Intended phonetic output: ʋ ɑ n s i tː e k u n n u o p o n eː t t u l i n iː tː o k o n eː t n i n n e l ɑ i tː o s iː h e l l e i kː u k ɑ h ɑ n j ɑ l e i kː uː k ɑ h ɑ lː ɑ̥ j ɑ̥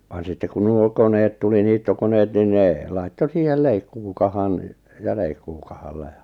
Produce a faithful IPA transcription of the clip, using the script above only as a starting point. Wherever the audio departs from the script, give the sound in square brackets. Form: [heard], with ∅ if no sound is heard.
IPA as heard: ʋ ɑ n s i tː e k u n n u o [k] o n eː t t u l i n iː tː o k o n eː t n i n n e l ɑ i tː o s iː h e l l e i kː [uː] k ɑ h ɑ n j ɑ l e i kː uː k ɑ h ɑ lː ɑ̥ j ɑ̥